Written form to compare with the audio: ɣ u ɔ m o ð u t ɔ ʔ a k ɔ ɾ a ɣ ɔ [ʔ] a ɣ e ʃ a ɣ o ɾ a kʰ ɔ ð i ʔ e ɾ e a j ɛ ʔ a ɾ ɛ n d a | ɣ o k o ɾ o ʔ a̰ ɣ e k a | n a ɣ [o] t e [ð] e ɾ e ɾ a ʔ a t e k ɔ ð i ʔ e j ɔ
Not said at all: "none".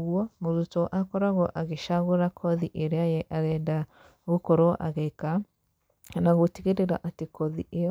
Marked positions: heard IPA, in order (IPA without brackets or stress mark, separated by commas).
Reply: ʔ, o, ɣ